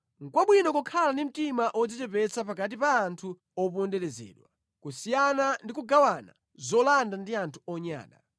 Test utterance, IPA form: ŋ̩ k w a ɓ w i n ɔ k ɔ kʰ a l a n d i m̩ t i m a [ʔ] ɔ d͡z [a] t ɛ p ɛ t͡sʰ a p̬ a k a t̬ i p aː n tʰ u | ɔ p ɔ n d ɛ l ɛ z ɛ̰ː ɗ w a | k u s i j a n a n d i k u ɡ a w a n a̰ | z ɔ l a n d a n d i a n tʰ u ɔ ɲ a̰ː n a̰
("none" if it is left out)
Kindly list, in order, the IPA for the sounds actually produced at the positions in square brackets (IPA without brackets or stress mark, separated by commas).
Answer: ʔ, i